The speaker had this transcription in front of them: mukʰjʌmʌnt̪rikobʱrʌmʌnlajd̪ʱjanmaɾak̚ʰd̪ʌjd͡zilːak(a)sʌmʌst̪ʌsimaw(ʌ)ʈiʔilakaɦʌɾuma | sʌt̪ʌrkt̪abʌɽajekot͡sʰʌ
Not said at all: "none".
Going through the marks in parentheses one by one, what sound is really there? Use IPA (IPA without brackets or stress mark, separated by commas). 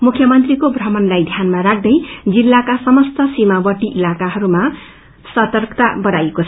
a, ʌ